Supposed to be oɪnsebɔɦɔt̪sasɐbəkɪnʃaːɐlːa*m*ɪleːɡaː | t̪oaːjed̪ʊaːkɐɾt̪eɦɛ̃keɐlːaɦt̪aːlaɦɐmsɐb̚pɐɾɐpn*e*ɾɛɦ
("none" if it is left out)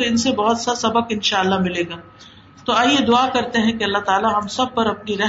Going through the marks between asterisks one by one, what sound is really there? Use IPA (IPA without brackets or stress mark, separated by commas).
m, i